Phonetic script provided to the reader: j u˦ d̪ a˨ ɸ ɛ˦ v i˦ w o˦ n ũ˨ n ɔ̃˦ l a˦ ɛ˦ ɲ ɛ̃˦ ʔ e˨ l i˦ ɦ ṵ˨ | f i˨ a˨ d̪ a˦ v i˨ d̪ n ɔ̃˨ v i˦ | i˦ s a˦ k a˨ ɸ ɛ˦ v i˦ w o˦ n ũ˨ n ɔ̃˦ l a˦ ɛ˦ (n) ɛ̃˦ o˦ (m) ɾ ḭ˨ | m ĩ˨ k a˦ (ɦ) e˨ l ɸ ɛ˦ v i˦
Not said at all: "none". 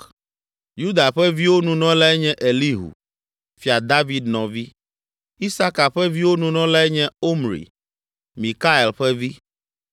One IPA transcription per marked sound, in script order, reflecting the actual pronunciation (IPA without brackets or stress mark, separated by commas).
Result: ɲ, m, none